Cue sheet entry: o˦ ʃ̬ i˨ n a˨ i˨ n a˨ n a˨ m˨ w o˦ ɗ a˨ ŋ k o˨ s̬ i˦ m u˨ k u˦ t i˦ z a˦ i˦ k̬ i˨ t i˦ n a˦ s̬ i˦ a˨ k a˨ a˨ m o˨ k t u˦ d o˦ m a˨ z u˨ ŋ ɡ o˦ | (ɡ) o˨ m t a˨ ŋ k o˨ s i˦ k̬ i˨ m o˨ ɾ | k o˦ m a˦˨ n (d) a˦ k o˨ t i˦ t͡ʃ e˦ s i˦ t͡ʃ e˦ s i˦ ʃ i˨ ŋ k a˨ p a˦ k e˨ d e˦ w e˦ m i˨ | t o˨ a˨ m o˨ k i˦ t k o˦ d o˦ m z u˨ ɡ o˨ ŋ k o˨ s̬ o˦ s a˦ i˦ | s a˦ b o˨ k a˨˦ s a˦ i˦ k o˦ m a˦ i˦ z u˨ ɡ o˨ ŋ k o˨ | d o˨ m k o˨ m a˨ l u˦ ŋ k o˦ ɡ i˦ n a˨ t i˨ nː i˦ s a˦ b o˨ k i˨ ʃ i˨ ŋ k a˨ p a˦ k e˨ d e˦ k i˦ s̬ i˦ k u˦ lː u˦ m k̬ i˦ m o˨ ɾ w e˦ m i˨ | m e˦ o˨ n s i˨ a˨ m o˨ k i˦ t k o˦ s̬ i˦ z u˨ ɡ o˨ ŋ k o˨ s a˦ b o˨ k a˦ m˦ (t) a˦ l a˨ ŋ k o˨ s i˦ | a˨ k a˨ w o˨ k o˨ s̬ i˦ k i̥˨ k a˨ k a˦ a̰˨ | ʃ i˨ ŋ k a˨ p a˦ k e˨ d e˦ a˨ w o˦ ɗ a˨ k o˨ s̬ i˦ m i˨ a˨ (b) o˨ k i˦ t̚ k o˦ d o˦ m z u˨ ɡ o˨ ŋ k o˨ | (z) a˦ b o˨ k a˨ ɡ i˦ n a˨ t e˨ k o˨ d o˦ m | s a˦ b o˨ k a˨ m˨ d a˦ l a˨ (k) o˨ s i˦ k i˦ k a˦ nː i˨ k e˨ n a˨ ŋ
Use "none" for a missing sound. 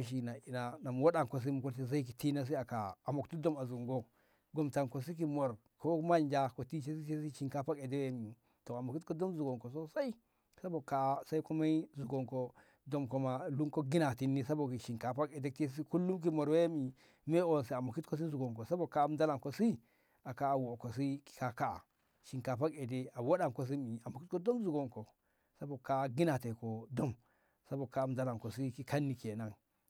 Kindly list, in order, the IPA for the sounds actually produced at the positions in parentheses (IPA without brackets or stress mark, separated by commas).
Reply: ɡ, d͡ʒ, d, m, s, k